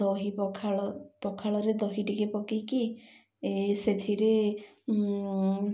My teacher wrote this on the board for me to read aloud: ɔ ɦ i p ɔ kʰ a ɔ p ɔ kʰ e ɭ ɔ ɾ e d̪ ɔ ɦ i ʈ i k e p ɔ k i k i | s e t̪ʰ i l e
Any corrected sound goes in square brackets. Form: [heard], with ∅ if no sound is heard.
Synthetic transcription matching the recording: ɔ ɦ i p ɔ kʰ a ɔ p ɔ kʰ [a] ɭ ɔ ɾ e d̪ ɔ ɦ i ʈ i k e p ɔ k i k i | s e t̪ʰ i [ɾ] e